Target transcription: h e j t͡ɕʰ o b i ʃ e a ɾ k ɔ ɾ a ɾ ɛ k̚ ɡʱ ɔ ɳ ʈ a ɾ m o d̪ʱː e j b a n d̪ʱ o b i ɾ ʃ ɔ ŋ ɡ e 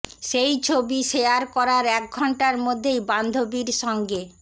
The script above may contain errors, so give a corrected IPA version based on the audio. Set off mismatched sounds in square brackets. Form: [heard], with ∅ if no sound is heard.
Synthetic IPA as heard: [ʃ] e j t͡ɕʰ o b i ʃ e a ɾ k ɔ ɾ a ɾ ɛ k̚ ɡʱ ɔ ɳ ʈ a ɾ m o d̪ʱː e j b a n d̪ʱ o b i ɾ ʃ ɔ ŋ ɡ e

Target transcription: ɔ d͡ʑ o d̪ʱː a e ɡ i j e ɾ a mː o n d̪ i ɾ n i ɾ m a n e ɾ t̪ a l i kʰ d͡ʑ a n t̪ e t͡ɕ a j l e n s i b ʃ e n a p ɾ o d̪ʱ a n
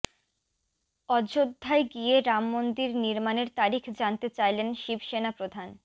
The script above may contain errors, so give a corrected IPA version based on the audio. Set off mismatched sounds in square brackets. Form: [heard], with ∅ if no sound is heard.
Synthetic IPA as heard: ɔ d͡ʑ o d̪ʱː a e ɡ i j e ɾ a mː o n d̪ i ɾ n i ɾ m a n e ɾ t̪ a [ɾ] i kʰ d͡ʑ a n t̪ e t͡ɕ a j l e n [ʃ] i b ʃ e n a p ɾ o d̪ʱ a n

